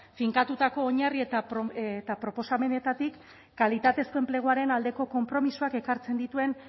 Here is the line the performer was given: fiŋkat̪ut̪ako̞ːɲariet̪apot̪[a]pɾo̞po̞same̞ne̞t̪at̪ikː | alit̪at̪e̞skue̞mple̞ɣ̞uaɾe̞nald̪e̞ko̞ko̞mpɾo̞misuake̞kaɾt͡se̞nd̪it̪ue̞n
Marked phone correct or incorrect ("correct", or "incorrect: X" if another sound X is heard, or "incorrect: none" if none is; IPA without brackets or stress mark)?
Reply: correct